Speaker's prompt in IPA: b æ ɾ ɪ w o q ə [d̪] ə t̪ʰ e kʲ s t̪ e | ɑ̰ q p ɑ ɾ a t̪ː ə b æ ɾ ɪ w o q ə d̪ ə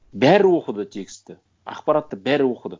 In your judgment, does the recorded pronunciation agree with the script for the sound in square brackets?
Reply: yes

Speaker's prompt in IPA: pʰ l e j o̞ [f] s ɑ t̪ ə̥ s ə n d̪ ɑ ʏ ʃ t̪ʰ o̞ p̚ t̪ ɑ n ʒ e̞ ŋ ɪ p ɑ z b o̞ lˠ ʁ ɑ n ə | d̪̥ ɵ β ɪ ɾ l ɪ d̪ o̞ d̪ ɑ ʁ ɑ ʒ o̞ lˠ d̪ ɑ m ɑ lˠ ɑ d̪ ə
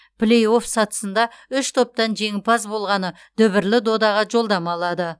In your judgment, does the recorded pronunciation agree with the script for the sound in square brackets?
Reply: yes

